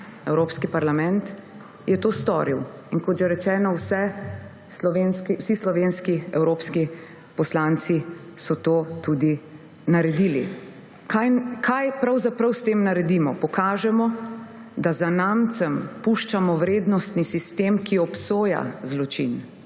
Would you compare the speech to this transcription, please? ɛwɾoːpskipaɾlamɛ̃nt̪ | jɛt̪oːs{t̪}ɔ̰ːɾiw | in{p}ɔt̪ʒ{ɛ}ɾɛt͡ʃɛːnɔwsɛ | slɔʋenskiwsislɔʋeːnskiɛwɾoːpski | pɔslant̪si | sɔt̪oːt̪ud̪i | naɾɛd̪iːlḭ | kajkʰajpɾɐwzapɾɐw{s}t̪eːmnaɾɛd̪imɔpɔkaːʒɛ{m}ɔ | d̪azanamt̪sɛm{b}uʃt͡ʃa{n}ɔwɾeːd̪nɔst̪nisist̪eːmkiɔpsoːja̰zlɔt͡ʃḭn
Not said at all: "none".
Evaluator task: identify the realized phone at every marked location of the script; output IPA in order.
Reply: t̪, k, ɛ, s, m, p, m

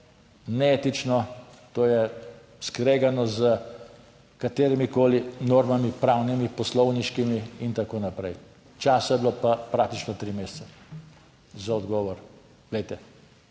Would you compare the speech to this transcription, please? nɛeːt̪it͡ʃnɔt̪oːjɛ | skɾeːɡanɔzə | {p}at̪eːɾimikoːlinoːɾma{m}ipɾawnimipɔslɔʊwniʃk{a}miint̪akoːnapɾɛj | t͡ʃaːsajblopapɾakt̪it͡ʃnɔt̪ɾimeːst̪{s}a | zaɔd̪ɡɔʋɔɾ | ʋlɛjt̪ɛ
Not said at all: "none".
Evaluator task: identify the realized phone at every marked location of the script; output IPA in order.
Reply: k, m, i, s

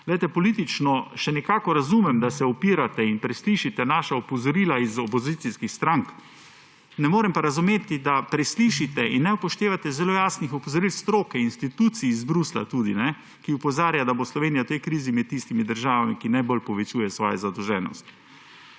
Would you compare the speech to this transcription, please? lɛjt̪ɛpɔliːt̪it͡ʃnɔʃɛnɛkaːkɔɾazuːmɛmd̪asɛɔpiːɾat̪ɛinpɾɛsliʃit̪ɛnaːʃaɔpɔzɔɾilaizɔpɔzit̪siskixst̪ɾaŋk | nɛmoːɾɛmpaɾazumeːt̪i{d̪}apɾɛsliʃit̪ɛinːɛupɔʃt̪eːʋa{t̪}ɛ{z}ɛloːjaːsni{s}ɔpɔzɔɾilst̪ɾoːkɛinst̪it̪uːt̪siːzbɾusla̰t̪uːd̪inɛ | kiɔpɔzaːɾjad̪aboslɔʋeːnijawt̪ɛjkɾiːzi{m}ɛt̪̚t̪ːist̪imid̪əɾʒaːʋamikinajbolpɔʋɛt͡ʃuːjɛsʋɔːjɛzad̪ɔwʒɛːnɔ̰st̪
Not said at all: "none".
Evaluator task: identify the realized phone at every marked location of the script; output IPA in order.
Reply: d̪, t̪, z, x, m

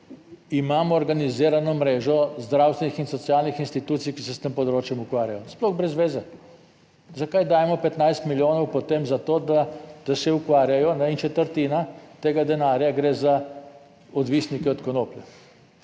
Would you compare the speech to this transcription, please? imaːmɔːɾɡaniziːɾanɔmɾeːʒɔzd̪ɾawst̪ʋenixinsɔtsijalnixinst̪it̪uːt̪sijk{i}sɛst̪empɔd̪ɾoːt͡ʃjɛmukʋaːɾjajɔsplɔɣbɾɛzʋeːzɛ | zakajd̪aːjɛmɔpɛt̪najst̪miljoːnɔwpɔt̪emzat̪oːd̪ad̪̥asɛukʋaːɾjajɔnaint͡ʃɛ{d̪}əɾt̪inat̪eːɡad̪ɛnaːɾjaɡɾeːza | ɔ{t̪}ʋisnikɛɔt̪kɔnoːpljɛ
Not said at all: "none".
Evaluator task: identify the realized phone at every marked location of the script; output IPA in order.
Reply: i, t̪, d̪

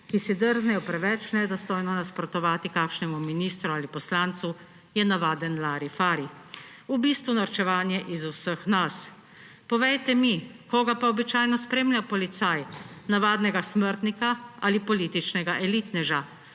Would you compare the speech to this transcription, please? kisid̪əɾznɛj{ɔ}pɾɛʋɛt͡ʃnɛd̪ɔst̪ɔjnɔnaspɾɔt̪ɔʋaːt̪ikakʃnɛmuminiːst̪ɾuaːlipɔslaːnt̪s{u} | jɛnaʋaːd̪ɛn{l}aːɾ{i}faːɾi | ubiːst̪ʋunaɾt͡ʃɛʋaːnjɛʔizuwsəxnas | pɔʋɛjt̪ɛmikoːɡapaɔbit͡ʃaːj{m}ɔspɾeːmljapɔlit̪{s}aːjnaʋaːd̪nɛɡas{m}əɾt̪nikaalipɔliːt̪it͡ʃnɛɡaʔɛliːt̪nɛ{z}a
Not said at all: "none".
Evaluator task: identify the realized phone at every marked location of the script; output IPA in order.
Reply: ɔ, u, l, i, n, s, m, ʒ

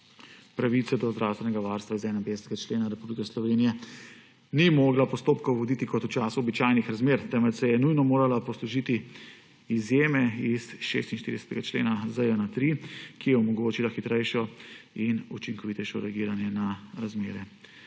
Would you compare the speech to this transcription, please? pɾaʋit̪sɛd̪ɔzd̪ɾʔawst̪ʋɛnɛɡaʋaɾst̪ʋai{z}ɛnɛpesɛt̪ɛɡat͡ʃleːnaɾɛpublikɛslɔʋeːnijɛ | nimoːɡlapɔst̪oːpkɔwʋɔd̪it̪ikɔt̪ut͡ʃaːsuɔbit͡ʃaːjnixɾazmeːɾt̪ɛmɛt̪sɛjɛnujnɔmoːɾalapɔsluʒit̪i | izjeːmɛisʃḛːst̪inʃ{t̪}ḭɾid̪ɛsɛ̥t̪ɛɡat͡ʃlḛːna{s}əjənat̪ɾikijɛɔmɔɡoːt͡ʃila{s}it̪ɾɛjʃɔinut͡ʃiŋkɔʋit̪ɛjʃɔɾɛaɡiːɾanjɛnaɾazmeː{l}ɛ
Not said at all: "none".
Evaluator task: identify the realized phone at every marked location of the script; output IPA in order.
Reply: z, t̪, z, x, ɾ

